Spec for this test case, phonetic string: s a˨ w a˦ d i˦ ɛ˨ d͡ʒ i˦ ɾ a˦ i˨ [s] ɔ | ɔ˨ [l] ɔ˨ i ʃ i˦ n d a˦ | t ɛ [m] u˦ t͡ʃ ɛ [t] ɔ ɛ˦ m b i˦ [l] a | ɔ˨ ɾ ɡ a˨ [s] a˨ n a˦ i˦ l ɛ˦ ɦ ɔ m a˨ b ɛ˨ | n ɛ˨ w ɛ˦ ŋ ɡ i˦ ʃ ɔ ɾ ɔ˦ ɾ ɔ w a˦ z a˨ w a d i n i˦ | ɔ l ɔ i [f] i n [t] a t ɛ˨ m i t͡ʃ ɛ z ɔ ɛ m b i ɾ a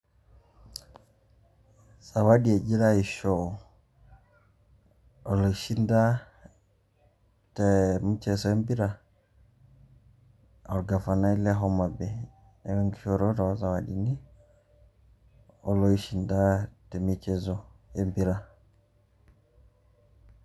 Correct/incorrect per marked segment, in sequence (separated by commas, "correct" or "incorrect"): incorrect, correct, correct, incorrect, incorrect, incorrect, incorrect, incorrect